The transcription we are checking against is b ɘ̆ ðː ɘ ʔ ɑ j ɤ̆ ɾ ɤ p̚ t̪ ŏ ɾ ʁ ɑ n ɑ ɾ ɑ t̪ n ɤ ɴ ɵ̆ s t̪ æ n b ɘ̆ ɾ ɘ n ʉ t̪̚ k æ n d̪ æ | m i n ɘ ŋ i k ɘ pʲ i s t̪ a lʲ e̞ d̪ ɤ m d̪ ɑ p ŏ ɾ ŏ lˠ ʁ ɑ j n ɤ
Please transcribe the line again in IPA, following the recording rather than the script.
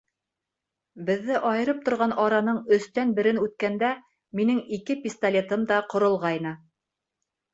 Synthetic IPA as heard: b ɘ̆ ðː ɘ ʔ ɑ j ɤ̆ ɾ ɤ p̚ t̪ ŏ ɾ ʁ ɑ n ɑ ɾ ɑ n ɤ ɴ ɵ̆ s t̪ æ n b ɘ̆ ɾ ɘ n ʉ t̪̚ k æ n d̪ æ | m i n ɘ ŋ i k ɘ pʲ i s t̪ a lʲ e̞ t̪ ɤ m d̪ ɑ q ŏ ɾ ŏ lˠ ʁ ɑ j n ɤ

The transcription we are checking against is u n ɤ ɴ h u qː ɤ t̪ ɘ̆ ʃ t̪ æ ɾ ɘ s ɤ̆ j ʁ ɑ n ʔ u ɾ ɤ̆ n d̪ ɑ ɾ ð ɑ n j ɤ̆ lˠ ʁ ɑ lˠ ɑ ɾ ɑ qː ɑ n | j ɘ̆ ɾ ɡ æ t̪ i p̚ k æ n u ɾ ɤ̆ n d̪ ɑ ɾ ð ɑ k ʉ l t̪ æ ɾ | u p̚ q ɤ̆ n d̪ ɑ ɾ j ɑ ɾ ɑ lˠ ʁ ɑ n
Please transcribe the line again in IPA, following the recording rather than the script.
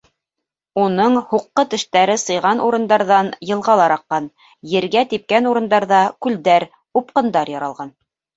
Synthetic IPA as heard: u n ɤ ɴ h u qː ɤ t̪ ɘ̆ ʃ t̪ æ ɾ ɘ s ɤ̆ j ʁ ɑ n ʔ u ɾ ɤ̆ n d̪ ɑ ɾ ð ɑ n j ɤ̆ lˠ ʁ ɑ lˠ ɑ ɾ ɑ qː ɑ n | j ɘ̆ ɾ ɡ æ t̪ i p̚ k æ n u ɾ ɤ̆ n d̪ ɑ ɾ ð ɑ k ʉ l d̪ æ ɾ | u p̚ q ɤ̆ n d̪ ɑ ɾ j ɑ ɾ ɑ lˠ ʁ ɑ n

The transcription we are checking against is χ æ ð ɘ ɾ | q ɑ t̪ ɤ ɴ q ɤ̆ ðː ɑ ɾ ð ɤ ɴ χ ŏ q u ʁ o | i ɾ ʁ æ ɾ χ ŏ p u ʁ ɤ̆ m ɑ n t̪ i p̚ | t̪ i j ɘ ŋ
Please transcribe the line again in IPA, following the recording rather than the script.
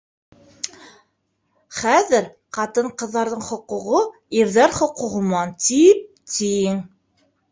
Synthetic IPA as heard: χ æ ð ɘ ɾ | q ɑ t̪ ɤ ɴ q ɤ̆ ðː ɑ ɾ ð ɤ ɴ χ ŏ q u ʁ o | i ɾ ð æ ɾ χ ŏ q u ʁ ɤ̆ m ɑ n t̪ i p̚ | t̪ i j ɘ ŋ

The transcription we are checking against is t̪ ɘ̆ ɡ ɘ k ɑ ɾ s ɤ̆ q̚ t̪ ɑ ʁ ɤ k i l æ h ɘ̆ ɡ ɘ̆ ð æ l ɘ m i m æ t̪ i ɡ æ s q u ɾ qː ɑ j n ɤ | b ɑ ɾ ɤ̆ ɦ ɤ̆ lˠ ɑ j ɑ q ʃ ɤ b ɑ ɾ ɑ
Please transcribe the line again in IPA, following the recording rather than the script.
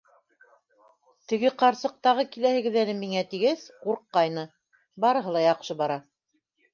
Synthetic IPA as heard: t̪ ɘ̆ ɡ ɘ q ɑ ɾ s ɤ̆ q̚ t̪ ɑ ʁ ɤ k i l æ h ɘ̆ ɡ ɘ̆ ð æ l ɘ m i ŋ æ t̪ i ɡ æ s q u ɾ qː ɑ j n ɤ | b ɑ ɾ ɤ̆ ɦ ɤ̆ lˠ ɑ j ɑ q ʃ ɤ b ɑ ɾ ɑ

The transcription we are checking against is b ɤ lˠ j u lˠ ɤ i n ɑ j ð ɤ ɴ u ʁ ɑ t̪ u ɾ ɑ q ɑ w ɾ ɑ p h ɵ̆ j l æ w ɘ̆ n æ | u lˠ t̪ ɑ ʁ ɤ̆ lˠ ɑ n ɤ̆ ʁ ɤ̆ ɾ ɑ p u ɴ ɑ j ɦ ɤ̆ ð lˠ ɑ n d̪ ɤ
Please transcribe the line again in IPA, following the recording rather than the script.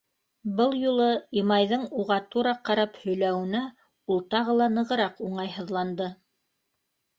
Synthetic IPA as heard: b ɤ lˠ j u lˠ ɤ i m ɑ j ð ɤ ɴ u ʁ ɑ t̪ u ɾ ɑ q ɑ ɾ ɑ p h ɵ̆ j l æ w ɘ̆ n æ | u lˠ t̪ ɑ ʁ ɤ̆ lˠ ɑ n ɤ̆ ʁ ɤ̆ ɾ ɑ q u ɴ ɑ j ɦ ɤ̆ ð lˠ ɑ n d̪ ɤ

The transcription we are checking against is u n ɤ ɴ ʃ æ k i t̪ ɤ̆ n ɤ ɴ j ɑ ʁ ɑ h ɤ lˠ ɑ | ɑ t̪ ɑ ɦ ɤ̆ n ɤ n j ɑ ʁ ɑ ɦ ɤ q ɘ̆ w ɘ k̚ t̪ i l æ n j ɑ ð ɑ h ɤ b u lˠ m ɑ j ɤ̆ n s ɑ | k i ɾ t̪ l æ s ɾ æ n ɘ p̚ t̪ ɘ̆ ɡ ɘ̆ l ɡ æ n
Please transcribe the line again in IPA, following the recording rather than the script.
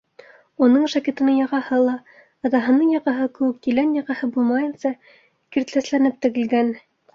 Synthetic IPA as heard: u n ɤ ɴ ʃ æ k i t̪ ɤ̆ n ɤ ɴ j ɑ ʁ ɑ h ɤ lˠ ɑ | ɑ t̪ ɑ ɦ ɤ̆ n ɤ ɴ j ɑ ʁ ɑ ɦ ɤ k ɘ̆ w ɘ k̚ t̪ i l æ n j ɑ ʁ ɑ h ɤ b u lˠ m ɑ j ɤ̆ n s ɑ | k i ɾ t̪ l æ s l æ n ɘ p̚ t̪ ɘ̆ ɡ ɘ̆ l ɡ æ n

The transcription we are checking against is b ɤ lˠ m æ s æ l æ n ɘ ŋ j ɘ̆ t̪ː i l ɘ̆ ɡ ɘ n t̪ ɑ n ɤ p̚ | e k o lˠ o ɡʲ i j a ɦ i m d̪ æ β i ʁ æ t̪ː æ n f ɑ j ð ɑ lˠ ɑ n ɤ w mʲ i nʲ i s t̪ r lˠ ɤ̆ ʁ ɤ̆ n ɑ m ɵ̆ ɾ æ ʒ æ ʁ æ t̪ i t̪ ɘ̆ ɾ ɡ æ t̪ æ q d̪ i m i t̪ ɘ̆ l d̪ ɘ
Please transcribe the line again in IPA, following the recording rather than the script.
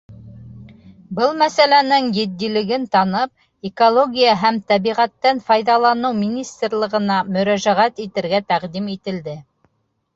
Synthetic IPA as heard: b ɤ lˠ m æ s æ l æ n ɘ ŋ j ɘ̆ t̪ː i l ɘ̆ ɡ ɘ n t̪ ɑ n ɤ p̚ | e k o lˠ o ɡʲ i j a ɦ æ m t̪ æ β i ʁ æ t̪ː æ n f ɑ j ð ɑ lˠ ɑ n ɤ w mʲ i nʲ i s t̪ r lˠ ɤ̆ ʁ ɤ̆ n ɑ m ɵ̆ ɾ æ ʒ æ ʁ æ t̪ i t̪ ɘ̆ ɾ ɡ æ t̪ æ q d̪ i m i t̪ ɘ̆ l d̪ ɘ

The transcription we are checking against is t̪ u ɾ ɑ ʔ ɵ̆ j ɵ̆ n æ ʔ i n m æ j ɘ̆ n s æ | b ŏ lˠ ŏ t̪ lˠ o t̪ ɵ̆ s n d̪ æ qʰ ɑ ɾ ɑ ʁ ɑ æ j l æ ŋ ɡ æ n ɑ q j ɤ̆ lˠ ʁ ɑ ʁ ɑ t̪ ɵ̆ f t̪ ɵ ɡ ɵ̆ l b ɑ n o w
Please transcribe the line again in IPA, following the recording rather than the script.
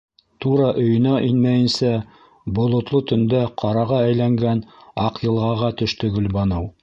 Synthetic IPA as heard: t̪ u ɾ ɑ ʔ ɵ̆ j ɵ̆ n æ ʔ i n m æ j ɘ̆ n s æ | b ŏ lˠ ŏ t̪ lˠ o t̪ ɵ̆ n d̪ æ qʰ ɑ ɾ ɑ ʁ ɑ æ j l æ ŋ ɡ æ n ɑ q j ɤ̆ lˠ ʁ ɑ ʁ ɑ t̪ ɵ̆ ʃ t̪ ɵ ɡ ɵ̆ l b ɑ n ɤ w

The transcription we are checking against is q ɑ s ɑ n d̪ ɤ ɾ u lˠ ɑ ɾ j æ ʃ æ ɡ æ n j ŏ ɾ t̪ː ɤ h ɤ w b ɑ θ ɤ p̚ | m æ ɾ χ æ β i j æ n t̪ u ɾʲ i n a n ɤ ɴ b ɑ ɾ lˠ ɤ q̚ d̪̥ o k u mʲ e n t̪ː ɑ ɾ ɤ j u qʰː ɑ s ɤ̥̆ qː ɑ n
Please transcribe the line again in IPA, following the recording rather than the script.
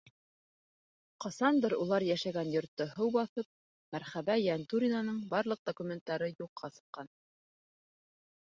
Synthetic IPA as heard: q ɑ s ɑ n d̪ ɤ ɾ u lˠ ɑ ɾ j æ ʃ æ ɡ æ n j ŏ ɾ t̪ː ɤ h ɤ w b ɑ θ ɤ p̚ | m æ ɾ χ æ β æ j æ n t̪ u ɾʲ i n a n ɤ ɴ b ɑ ɾ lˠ ɤ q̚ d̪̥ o k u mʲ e n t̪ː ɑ ɾ ɤ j u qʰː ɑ s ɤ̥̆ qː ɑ n

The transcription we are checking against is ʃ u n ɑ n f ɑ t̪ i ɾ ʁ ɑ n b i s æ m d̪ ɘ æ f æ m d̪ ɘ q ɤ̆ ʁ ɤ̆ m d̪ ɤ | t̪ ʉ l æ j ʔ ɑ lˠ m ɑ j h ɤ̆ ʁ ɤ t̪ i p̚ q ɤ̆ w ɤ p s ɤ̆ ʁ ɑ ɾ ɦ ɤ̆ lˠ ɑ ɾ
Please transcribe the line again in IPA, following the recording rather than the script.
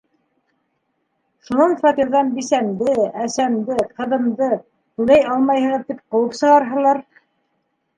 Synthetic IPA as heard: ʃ u n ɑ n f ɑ t̪ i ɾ ð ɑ n b i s æ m d̪ ɘ æ s æ m d̪ ɘ q ɤ̆ ð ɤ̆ m d̪ ɤ | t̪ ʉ l æ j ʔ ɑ lˠ m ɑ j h ɤ̆ ʁ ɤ t̪ i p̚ q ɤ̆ w ɤ p s ɤ̆ ʁ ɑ ɾ ɦ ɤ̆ lˠ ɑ ɾ

